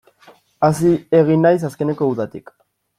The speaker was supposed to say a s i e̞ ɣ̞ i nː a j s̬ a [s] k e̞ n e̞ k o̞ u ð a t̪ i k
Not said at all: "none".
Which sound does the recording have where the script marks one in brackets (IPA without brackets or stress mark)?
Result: s